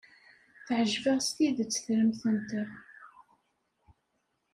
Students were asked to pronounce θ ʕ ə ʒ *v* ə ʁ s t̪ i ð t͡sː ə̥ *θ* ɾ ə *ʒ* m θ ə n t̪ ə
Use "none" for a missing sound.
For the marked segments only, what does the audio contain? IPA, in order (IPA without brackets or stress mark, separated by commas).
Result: v, θ, none